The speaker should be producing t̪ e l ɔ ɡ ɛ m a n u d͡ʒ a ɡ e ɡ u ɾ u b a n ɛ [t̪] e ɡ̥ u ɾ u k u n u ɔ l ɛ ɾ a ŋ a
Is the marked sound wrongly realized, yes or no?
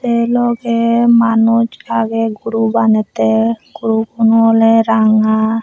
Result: no